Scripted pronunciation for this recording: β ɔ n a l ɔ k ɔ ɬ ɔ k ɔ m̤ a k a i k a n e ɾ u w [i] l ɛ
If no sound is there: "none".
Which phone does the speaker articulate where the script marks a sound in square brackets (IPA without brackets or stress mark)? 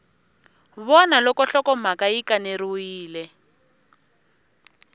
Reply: iː